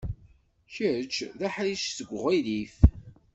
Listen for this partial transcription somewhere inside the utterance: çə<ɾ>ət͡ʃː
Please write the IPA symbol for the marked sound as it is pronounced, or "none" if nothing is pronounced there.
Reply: ɾ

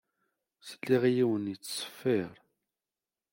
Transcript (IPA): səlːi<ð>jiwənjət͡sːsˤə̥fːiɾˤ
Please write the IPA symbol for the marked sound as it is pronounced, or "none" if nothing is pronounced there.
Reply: ʁ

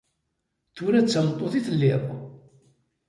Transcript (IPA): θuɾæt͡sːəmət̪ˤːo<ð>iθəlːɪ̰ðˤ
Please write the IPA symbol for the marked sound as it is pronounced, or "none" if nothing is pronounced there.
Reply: θ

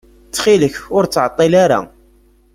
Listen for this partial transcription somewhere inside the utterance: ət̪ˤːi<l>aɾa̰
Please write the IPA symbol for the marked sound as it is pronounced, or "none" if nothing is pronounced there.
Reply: l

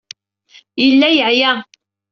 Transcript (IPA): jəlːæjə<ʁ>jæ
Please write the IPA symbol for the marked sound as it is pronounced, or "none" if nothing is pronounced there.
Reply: ʕ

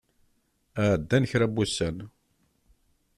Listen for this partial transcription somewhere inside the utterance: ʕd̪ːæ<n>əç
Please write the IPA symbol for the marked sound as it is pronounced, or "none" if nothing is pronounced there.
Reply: n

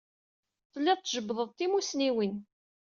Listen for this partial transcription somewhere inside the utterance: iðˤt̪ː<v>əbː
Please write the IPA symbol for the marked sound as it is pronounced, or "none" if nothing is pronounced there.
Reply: ʒ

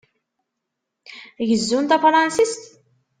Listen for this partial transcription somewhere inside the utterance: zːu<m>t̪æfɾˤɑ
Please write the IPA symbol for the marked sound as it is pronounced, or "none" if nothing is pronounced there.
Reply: n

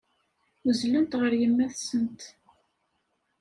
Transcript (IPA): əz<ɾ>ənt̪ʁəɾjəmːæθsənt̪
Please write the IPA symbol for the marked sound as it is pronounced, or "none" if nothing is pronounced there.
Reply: l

